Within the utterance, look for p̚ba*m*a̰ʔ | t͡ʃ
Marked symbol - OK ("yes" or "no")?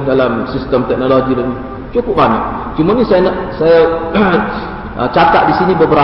no